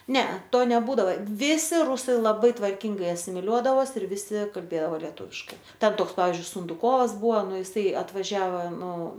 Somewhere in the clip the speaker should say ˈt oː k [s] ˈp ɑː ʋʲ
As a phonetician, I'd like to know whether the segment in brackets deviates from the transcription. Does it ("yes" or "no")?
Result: no